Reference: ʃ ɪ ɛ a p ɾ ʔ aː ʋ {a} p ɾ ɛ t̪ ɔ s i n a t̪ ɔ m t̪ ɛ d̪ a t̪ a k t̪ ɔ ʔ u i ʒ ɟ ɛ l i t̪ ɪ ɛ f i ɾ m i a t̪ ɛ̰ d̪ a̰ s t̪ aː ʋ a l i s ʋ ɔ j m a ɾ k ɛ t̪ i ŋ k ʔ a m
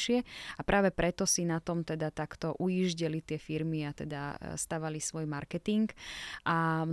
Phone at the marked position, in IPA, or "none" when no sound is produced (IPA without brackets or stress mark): ɛ